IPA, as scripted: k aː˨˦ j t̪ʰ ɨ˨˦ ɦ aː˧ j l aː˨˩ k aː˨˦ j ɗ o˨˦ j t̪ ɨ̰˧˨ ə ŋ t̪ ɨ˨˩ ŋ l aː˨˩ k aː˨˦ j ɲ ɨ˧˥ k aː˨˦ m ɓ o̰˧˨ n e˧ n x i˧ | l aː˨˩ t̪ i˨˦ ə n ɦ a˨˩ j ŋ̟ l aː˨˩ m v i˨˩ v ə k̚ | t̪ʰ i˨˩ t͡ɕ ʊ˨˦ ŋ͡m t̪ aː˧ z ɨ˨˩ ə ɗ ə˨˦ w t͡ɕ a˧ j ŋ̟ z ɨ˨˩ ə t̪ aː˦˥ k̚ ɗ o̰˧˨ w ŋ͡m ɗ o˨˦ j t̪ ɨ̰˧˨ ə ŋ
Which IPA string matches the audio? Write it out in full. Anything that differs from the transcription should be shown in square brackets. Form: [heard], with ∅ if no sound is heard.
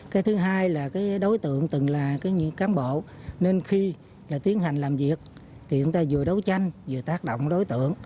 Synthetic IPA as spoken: k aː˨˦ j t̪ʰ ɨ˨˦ ɦ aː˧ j l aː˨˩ k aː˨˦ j ɗ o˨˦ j t̪ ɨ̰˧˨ ə ŋ t̪ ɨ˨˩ ŋ l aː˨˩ k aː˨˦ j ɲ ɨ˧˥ k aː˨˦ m ɓ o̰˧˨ n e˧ n x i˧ | l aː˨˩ t̪ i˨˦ ə n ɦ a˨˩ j ŋ̟ l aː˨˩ m v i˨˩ [∅] ə k̚ | t̪ʰ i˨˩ t͡ɕ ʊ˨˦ ŋ͡m t̪ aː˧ z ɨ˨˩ ə ɗ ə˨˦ w t͡ɕ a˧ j ŋ̟ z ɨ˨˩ ə t̪ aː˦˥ k̚ ɗ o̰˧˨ w ŋ͡m ɗ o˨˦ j t̪ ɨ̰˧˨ ə ŋ